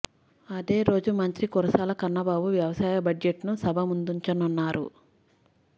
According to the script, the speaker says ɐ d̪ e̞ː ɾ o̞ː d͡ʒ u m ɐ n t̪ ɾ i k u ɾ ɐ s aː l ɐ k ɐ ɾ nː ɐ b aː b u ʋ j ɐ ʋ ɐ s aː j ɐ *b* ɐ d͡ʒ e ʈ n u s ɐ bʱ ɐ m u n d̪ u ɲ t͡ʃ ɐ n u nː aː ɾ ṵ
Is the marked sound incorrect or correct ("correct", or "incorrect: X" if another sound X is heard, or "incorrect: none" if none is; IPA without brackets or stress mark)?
correct